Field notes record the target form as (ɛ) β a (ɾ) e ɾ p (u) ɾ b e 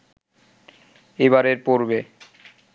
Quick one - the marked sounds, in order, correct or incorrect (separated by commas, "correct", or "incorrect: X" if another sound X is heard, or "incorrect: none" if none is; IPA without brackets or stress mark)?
incorrect: e, correct, incorrect: o